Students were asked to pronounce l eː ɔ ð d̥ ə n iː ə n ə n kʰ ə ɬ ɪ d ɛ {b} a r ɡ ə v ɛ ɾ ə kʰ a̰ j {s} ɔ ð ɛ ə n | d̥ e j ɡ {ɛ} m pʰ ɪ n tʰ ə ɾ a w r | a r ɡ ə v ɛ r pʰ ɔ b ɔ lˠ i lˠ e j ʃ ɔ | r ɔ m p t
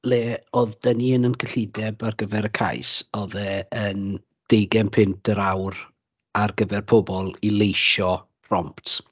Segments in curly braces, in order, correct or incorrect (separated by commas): correct, correct, correct